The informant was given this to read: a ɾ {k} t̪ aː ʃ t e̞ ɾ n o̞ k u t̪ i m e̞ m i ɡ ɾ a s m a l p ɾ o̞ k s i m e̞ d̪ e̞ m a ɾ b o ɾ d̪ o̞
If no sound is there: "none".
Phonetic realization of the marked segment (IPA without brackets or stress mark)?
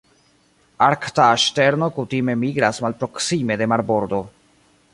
k